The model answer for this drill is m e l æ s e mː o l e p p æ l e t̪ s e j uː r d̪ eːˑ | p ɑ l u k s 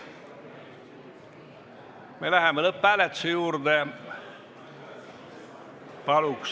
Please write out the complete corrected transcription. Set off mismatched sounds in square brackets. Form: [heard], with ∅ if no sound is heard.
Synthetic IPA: m e l æ [h] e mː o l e p p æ l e t̪ s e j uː r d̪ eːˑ | p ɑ l u k s

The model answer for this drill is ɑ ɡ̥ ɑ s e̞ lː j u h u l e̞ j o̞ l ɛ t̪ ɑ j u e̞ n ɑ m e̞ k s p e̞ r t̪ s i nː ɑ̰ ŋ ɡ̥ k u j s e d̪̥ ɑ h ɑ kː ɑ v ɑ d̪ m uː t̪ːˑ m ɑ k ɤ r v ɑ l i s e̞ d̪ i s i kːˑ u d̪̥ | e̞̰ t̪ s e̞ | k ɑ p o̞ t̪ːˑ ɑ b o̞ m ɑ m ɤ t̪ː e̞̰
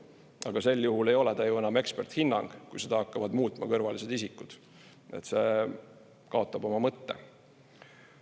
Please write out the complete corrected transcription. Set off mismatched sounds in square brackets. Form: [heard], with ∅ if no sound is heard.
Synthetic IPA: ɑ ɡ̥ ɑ s e̞ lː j u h u l e̞ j o̞ l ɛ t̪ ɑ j u e̞ n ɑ m e̞ k s p e̞ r t̪ [h] i nː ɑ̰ ŋ ɡ̥ k u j s e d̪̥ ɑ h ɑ kː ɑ v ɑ d̪ m uː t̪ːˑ m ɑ k ɤ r v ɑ l i s e̞ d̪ i s i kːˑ u d̪̥ | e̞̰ t̪ s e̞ | k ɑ [∅] o̞ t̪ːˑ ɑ b o̞ m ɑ m ɤ t̪ː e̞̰

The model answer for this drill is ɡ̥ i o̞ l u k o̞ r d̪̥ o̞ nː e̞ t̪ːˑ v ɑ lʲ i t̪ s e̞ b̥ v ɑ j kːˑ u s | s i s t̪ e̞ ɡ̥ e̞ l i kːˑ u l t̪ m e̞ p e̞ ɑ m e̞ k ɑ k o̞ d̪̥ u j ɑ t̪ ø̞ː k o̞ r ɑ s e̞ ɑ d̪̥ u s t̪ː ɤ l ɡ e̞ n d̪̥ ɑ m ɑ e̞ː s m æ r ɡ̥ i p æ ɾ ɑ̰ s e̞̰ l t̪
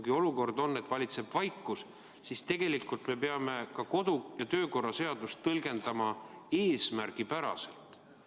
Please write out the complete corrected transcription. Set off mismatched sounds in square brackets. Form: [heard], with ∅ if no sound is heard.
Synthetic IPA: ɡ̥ i o̞ l u k o̞ r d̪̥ o̞ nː e̞ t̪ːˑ v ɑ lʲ i t̪ s e̞ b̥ v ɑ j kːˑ u s | s i s t̪ e̞ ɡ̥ e̞ l i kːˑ u l t̪ m e̞ p e̞ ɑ m e̞ k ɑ k o̞ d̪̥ u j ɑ t̪ ø̞ː k o̞ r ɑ s e̞ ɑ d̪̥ u s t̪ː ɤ l ɡ e̞ n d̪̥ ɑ m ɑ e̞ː s m æ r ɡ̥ i p æ ɾ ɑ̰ s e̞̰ l t̪

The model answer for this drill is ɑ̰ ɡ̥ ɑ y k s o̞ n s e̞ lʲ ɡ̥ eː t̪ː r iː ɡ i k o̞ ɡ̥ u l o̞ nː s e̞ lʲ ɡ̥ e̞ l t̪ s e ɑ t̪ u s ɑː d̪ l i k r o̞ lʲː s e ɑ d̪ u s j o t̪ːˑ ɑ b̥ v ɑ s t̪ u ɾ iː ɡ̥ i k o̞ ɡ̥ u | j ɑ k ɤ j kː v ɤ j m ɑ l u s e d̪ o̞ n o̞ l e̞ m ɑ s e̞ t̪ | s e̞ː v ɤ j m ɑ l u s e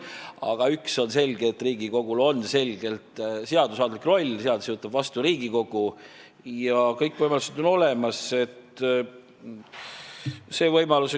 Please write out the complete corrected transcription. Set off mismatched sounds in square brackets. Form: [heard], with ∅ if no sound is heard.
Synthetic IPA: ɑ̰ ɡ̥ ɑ y k s o̞ n s e̞ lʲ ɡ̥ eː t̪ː r iː ɡ i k o̞ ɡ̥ u l o̞ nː s e̞ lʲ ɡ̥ e̞ l t̪ s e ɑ [d̪] u s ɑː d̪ l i k r o̞ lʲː s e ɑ d̪ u s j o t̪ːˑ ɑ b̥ v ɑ s t̪ u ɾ iː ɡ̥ i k o̞ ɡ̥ u | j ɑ k ɤ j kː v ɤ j m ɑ l u s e d̪ o̞ n o̞ l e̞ m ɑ s e̞ t̪ | s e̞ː v ɤ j m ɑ l u s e

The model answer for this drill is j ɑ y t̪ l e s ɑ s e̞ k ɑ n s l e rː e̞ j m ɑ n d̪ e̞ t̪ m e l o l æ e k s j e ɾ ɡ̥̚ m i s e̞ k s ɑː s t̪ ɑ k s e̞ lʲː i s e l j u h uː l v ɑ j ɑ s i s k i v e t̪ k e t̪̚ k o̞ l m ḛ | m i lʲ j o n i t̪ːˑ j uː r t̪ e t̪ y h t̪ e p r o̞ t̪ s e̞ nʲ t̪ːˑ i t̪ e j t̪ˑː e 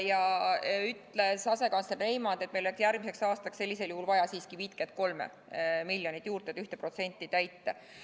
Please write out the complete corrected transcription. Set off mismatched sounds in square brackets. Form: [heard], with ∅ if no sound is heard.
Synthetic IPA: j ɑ y t̪ l e s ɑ s e̞ k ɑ n s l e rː e̞ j m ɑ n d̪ e̞ t̪ m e l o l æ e k s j [æ] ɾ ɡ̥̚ m i s e̞ k s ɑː s t̪ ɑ k s e̞ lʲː i s e l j u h [u] l v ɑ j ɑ s [iː] s k i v [i] t̪ k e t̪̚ k o̞ l m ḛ | m i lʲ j o n i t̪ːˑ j uː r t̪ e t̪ y h t̪ e p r o̞ t̪ s e̞ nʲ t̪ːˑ i t̪ [æ] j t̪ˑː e

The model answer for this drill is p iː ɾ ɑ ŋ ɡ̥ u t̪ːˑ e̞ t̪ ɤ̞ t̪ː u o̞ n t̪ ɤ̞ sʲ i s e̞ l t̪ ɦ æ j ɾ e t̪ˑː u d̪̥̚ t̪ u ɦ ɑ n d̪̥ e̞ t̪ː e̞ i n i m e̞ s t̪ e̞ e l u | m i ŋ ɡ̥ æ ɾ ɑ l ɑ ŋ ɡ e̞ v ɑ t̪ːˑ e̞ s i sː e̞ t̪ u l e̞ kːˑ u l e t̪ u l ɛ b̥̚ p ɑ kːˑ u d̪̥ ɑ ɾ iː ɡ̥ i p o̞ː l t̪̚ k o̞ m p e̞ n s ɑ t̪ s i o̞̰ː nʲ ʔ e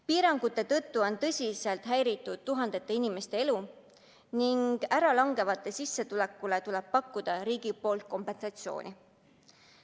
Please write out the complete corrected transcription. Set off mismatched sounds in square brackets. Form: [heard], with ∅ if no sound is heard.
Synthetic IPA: p iː ɾ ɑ ŋ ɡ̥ u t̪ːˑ e̞ t̪ ɤ̞ t̪ː u o̞ n t̪ ɤ̞ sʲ i s e̞ l t̪ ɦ æ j ɾ [i] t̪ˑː u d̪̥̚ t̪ u ɦ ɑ n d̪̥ e̞ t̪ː e̞ i n i m e̞ s t̪ e̞ e l u | [n] i ŋ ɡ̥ æ ɾ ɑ l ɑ ŋ ɡ e̞ v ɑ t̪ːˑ e̞ s i sː e̞ t̪ u l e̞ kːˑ u l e t̪ u l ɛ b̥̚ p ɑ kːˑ u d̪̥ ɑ ɾ iː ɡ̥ i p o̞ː l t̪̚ k o̞ m p e̞ n s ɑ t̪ s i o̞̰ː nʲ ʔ [i]

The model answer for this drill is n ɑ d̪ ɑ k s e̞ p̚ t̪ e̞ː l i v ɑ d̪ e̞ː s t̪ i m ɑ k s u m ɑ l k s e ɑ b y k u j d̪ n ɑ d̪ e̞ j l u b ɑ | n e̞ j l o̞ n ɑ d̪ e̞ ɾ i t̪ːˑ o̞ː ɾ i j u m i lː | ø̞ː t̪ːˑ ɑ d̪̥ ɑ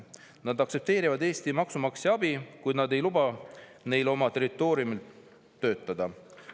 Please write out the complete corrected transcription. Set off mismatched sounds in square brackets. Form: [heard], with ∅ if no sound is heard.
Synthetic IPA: n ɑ d̪ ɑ k s e̞ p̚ t̪ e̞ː [ɾ] i v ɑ d̪ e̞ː s t̪ i m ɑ k s u m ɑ [∅] k s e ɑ b [i] k u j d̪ n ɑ d̪ e̞ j l u b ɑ | n e̞ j l o̞ [m] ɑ [t̪] e̞ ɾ i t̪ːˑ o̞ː ɾ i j u m i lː | ø̞ː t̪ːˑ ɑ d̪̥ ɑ

